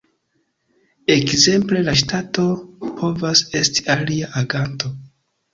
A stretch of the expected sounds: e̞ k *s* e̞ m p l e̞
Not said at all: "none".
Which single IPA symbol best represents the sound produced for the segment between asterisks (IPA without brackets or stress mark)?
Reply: z